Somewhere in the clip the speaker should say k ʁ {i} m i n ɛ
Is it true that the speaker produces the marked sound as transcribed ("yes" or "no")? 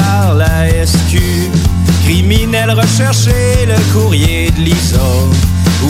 yes